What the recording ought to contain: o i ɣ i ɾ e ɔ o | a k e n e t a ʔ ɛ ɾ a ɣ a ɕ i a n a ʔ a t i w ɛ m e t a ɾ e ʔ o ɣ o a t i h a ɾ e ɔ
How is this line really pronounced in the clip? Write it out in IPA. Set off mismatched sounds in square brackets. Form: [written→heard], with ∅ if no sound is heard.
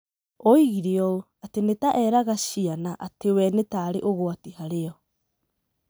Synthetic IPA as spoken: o i ɣ i ɾ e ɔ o | a [k→t] e n e t a ʔ ɛ ɾ a ɣ a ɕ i a n a ʔ a t [i→e] w ɛ [m→n] e t a ɾ e ʔ o ɣ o a t i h a ɾ e ɔ